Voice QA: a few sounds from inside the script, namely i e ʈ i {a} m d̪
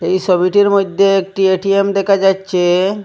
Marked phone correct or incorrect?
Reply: incorrect